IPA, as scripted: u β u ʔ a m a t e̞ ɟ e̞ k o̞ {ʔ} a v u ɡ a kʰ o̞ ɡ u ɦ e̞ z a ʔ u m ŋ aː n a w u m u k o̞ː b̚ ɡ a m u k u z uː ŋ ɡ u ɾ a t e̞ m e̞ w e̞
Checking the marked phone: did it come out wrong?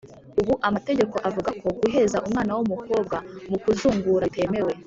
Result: no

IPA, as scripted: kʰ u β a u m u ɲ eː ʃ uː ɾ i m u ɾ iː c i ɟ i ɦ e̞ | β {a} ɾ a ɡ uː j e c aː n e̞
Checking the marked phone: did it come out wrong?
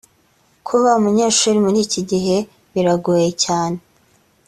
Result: yes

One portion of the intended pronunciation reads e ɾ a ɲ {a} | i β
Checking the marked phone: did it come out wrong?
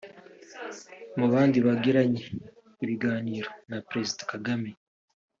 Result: yes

